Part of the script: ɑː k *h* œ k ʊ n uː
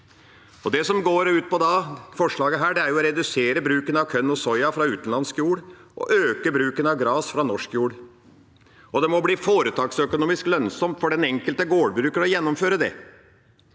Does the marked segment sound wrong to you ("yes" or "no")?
yes